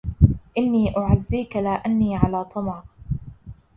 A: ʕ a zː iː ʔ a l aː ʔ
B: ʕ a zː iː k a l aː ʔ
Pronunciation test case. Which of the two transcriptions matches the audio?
B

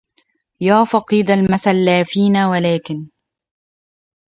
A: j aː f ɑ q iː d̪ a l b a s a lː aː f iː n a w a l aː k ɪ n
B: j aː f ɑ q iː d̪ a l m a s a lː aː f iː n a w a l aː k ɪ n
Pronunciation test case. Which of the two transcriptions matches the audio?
B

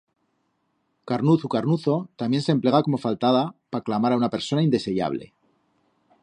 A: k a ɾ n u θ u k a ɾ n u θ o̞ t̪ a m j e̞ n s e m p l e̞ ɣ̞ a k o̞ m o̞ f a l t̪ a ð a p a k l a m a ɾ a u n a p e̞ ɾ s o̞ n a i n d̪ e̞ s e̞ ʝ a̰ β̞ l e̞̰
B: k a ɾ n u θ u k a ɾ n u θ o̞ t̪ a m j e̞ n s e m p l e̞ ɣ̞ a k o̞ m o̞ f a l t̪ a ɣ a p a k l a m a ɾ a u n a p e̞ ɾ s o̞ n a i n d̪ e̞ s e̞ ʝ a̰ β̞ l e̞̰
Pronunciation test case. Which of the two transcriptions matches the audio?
A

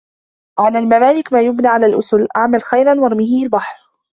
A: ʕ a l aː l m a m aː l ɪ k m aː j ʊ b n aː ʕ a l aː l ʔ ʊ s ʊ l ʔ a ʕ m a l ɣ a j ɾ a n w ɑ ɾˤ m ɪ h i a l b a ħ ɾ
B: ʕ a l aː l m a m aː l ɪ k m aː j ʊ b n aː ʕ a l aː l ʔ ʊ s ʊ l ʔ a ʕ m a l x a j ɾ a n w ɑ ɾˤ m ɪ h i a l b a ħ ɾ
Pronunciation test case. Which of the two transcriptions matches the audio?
B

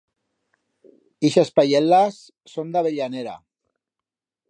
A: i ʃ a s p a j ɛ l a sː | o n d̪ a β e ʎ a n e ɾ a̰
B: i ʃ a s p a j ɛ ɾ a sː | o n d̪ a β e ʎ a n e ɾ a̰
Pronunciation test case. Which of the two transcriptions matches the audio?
A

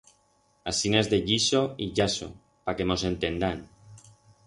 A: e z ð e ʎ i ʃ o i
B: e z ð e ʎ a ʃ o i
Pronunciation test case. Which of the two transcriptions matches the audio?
A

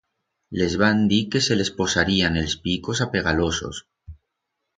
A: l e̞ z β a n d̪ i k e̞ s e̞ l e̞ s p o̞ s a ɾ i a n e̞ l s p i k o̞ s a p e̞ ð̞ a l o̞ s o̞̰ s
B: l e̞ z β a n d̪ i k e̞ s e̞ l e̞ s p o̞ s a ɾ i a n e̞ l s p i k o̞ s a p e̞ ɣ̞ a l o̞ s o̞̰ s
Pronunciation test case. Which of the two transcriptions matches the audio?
B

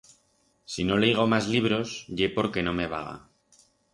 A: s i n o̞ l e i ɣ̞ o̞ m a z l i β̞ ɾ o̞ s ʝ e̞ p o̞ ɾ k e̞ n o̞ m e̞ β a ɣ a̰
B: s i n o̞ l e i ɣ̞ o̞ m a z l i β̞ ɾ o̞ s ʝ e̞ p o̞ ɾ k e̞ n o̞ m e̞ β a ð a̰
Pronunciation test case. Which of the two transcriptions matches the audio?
A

